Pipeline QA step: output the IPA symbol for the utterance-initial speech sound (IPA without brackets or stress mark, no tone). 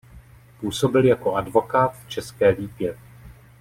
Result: p